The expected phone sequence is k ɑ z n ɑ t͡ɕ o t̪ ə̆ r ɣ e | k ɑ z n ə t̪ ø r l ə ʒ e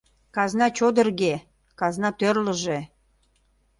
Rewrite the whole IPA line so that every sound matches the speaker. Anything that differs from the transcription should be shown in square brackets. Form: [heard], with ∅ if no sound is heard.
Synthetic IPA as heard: k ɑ z n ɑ t͡ɕ o [d̪] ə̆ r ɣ e | k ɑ z n [ɑ] t̪ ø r l ə ʒ e